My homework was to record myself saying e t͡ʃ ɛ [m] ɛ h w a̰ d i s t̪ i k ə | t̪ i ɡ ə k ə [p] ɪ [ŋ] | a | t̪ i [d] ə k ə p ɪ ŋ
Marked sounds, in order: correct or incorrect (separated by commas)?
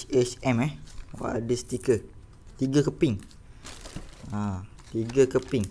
correct, correct, correct, incorrect